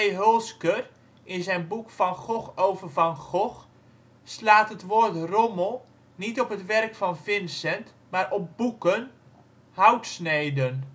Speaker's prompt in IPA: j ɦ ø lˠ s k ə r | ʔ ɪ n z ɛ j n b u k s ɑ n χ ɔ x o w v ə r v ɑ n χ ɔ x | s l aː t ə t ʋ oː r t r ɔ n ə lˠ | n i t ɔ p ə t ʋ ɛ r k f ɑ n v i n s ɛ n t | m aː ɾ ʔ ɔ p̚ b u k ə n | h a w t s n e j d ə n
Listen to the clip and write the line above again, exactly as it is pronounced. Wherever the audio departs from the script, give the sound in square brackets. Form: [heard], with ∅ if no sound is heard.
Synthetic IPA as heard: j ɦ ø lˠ s k ə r | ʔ ɪ n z ɛ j n b u k [f] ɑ n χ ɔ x o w v ə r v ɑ n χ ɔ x | s l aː t ə t ʋ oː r t r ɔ [m] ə lˠ | n i t ɔ p ə t ʋ ɛ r k f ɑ n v [ɪ] n s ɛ n t | m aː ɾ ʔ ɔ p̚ b u k ə n | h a w t s n e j d ə n